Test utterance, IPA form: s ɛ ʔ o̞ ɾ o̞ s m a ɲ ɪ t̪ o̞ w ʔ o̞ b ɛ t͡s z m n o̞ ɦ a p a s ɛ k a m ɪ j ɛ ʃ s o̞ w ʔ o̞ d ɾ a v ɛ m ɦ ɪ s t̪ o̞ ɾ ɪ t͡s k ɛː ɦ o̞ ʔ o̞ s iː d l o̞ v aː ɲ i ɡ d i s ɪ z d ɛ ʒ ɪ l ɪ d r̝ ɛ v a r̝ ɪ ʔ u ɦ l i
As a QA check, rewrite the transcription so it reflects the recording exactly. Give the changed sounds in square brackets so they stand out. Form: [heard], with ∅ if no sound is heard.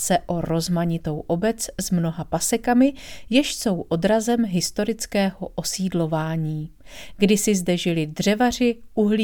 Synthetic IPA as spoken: s ɛ ʔ o̞ ɾ o̞ [z] m a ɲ ɪ t̪ o̞ w ʔ o̞ b ɛ t͡s z m n o̞ ɦ a p a s ɛ k a m ɪ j ɛ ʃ s o̞ w ʔ o̞ d ɾ a [z] ɛ m ɦ ɪ s t̪ o̞ ɾ ɪ t͡s k ɛː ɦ o̞ ʔ o̞ s iː d l o̞ v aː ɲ [iː] ɡ d [ɪ] s ɪ z d ɛ ʒ ɪ l ɪ d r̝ ɛ v a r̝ ɪ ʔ u ɦ l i